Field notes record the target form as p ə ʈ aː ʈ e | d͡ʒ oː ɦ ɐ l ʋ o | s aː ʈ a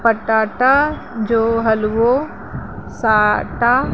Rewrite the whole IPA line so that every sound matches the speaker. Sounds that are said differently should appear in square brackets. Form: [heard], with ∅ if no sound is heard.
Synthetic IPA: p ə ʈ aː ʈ [a] | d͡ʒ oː ɦ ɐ l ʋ o | s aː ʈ a

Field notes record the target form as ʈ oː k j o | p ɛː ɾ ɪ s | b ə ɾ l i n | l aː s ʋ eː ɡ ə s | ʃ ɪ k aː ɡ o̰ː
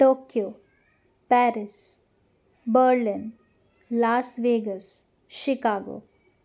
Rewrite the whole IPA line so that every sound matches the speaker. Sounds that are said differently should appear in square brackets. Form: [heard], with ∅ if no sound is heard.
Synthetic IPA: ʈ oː k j o | p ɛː ɾ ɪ s | b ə ɾ l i n | l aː s ʋ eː ɡ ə s | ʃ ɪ k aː ɡ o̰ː

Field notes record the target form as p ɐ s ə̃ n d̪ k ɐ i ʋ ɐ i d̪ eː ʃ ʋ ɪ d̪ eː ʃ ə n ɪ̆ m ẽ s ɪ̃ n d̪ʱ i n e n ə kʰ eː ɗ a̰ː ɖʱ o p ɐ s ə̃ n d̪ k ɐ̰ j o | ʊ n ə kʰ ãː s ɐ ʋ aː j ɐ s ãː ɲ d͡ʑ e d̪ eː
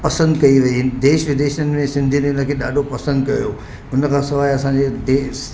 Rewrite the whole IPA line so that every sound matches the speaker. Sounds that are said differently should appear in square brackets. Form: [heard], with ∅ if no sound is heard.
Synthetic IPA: p ɐ s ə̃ n d̪ k ɐ i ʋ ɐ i d̪ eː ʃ ʋ ɪ d̪ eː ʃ ə n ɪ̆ m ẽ s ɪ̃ n d̪ʱ i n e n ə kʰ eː ɗ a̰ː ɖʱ o p ɐ s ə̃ n d̪ k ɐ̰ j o | ʊ n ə kʰ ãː s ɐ ʋ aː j ɐ s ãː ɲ d͡ʑ e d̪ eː

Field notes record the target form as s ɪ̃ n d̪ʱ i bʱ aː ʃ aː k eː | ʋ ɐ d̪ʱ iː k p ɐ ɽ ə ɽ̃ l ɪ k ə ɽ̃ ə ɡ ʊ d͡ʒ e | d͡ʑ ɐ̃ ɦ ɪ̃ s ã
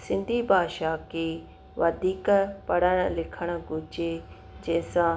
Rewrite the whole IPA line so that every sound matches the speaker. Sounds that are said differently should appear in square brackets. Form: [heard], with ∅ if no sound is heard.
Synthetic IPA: s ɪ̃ n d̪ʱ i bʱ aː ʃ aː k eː | ʋ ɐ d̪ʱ iː k p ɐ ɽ ə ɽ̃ l ɪ [kʰ] ə ɽ̃ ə ɡ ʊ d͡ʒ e | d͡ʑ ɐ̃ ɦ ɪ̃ s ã

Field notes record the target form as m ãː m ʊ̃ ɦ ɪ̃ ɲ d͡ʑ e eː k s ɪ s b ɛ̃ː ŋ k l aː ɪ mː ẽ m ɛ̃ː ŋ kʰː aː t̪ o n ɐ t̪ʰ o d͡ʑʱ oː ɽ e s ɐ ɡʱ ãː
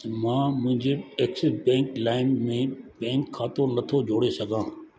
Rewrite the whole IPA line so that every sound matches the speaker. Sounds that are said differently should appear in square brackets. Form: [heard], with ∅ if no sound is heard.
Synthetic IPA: m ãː m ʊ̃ ɦ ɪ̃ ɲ d͡ʑ e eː k s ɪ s b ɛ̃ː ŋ k l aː ɪ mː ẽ [b] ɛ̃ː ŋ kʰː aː t̪ o n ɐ t̪ʰ o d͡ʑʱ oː ɽ e s ɐ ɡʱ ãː

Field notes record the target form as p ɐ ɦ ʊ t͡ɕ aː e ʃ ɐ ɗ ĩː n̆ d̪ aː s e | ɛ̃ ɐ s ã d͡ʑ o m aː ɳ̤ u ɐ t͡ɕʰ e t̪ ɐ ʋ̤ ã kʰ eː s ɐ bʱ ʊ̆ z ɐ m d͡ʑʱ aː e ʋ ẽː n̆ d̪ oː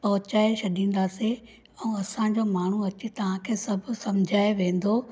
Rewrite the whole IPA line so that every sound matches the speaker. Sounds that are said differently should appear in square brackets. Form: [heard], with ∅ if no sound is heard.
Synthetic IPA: p ɐ ɦ ʊ t͡ɕ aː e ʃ ɐ ɗ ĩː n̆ d̪ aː s e | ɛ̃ ɐ s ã d͡ʑ o m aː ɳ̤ u ɐ [t͡ɕ] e t̪ ɐ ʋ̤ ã kʰ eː s ɐ bʱ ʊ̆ [s] ɐ m d͡ʑʱ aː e ʋ ẽː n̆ d̪ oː

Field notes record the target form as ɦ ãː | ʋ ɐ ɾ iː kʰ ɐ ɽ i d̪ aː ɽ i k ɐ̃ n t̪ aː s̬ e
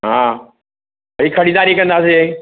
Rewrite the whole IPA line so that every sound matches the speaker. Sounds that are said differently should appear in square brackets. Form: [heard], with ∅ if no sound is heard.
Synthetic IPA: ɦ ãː | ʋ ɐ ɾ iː kʰ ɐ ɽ i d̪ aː [ɾ] i k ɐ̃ n [d̪] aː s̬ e

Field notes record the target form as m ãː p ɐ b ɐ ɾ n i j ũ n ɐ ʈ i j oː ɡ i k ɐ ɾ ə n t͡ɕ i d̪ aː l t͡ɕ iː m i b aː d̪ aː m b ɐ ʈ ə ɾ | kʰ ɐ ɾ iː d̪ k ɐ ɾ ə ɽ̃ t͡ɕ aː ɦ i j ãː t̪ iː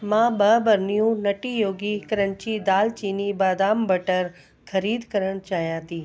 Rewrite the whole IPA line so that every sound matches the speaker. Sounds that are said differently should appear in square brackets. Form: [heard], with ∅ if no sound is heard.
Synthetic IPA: m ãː [b] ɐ b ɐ ɾ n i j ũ n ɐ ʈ i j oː ɡ i k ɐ ɾ ə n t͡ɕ i d̪ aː l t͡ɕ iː [n] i b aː d̪ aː m b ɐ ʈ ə ɾ | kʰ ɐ ɾ iː d̪ k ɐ ɾ ə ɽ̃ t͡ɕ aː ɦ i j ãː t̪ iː

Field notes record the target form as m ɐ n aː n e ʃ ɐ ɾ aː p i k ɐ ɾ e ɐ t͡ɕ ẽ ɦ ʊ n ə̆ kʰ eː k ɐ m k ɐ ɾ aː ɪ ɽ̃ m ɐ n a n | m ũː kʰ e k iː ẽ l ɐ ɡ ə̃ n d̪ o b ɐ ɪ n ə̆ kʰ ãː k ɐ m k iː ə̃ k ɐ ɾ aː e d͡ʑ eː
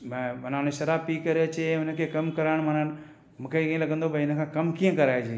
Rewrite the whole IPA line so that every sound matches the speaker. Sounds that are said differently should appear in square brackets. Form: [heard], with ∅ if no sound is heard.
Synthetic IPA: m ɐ n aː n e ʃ ɐ ɾ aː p i k ɐ ɾ e ɐ t͡ɕ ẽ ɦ ʊ n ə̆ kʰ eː k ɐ m k ɐ ɾ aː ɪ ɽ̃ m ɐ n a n | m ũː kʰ e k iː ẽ l ɐ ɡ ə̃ n d̪ o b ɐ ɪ n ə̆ kʰ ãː k ɐ m k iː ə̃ k ɐ ɾ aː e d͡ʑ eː

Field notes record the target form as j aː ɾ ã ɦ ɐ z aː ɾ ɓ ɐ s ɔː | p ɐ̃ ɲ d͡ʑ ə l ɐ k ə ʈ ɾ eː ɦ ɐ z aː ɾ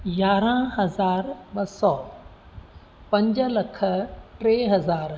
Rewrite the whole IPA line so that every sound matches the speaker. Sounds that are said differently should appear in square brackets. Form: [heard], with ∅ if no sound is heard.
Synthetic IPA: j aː ɾ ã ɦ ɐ z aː ɾ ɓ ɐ s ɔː | p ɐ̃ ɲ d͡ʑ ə l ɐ [kʰ] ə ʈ ɾ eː ɦ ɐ z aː ɾ

